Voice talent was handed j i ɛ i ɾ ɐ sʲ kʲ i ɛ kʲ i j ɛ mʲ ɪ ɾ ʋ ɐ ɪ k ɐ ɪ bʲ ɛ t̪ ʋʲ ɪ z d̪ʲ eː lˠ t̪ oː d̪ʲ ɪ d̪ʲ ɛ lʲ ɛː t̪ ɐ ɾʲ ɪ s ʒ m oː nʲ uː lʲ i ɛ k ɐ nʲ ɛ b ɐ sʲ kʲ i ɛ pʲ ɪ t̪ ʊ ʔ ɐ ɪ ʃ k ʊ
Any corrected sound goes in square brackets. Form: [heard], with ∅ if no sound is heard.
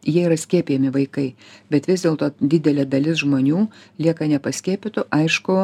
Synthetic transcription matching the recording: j i ɛ i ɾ ɐ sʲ kʲ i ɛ [pʲ] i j ɛ mʲ ɪ [∅] ʋ ɐ ɪ k ɐ ɪ bʲ ɛ t̪ ʋʲ ɪ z d̪ʲ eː lˠ t̪ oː d̪ʲ ɪ d̪ʲ ɛ lʲ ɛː [d̪] ɐ [lʲ] ɪ s ʒ m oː nʲ uː lʲ i ɛ k ɐ nʲ ɛ [p] ɐ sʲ kʲ i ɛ pʲ ɪ t̪ ʊ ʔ ɐ ɪ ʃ k ʊ